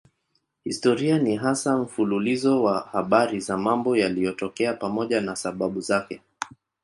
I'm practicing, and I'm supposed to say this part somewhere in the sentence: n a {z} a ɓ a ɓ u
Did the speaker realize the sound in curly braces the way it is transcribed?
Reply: no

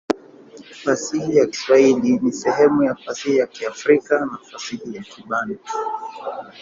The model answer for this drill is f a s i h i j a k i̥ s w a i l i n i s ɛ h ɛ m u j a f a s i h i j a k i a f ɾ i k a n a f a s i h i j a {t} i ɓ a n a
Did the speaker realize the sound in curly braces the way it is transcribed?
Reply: no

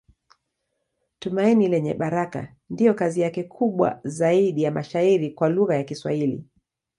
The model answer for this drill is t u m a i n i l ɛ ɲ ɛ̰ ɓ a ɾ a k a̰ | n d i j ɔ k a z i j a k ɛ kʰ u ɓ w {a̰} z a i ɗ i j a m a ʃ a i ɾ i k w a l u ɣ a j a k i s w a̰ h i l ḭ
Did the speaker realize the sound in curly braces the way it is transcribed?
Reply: yes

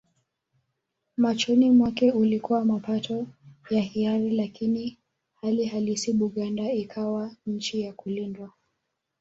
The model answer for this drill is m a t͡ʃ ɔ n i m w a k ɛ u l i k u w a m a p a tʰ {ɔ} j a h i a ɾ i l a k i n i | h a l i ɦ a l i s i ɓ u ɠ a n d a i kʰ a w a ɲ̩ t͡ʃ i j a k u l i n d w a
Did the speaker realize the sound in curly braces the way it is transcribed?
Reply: yes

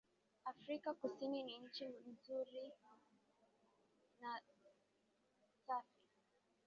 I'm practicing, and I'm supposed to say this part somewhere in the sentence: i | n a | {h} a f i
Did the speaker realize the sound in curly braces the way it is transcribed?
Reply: no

